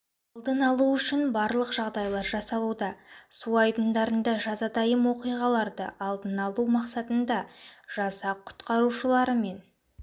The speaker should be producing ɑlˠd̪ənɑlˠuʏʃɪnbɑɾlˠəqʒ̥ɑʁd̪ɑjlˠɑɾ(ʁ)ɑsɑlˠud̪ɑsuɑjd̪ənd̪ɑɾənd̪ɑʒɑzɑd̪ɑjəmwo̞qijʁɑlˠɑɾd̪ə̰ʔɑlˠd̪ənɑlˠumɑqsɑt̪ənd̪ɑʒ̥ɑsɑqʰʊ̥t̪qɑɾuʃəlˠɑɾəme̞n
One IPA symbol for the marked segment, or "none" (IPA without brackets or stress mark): ʒ